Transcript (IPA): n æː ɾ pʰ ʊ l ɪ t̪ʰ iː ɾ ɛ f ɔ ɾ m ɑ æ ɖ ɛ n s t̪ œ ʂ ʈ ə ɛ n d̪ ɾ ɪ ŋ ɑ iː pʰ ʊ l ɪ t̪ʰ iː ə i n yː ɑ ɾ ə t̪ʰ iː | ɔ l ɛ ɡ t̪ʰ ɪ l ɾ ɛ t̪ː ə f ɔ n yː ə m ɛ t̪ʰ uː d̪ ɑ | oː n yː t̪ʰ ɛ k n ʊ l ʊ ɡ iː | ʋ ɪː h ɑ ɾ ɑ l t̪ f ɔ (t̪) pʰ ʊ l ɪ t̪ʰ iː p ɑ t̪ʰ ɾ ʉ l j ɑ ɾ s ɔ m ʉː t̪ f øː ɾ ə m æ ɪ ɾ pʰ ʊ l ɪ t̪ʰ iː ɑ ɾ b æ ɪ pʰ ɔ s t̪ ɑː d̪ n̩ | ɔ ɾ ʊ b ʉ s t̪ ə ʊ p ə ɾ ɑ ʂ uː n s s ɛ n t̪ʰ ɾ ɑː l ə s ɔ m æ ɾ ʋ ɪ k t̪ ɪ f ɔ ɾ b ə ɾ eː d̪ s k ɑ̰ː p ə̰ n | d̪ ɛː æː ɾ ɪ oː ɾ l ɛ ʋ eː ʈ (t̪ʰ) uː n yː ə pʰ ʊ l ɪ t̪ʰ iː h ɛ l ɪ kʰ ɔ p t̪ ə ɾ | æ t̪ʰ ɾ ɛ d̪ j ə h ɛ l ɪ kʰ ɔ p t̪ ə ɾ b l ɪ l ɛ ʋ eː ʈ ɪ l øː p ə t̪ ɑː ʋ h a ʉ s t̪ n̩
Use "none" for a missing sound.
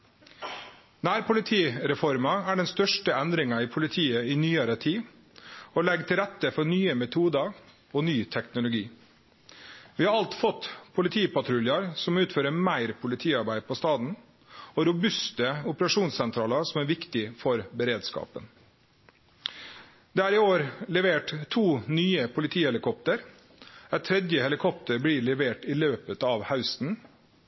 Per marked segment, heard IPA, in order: t̪, t̪ʰ

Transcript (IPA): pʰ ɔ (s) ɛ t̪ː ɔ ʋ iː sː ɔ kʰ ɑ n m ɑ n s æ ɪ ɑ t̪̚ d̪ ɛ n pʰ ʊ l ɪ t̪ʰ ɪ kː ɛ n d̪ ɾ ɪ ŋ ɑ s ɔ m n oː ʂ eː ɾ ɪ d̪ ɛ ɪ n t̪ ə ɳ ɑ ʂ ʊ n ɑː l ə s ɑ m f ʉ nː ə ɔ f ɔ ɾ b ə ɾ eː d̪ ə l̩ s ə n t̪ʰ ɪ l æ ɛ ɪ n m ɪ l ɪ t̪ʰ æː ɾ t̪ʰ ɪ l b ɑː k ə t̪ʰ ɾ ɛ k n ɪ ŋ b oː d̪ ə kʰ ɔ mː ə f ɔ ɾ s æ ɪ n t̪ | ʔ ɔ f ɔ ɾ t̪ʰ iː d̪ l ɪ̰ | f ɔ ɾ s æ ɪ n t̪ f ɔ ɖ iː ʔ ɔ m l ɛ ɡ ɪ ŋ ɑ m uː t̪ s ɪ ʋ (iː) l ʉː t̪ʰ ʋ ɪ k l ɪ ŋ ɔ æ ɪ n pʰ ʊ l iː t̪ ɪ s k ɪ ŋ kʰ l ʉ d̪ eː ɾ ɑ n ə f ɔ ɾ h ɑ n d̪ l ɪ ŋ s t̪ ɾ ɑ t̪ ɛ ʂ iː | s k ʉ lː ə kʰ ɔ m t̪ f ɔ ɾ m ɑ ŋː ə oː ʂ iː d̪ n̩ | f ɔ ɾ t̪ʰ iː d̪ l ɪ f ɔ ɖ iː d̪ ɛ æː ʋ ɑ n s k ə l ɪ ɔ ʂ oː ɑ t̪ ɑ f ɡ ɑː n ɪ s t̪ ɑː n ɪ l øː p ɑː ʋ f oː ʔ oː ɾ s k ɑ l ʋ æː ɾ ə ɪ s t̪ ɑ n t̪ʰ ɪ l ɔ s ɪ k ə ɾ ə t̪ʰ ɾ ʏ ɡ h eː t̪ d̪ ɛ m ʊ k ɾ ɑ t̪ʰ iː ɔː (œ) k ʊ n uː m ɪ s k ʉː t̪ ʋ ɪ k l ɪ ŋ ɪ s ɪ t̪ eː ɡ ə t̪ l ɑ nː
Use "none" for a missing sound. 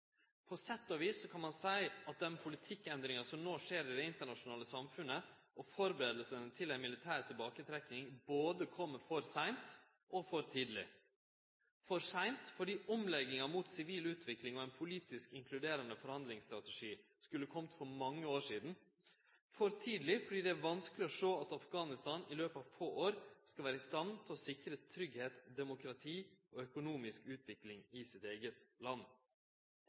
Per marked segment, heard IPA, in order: s, iː, œ

